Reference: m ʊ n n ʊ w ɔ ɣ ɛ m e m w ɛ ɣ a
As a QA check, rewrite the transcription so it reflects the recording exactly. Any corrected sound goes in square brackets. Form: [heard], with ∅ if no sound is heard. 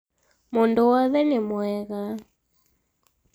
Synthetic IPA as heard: m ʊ n [d] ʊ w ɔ [ð] ɛ [n] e m w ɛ ɣ a